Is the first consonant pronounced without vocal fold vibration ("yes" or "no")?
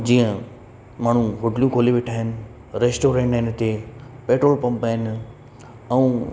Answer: no